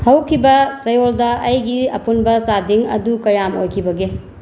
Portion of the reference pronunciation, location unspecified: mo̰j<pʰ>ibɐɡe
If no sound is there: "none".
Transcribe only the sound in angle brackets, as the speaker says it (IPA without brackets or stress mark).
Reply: kʰ